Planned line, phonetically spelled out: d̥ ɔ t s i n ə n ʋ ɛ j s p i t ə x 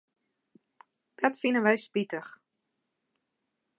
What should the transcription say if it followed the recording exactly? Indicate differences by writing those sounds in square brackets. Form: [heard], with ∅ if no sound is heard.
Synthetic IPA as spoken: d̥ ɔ t [f] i n ə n ʋ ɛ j s p i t ə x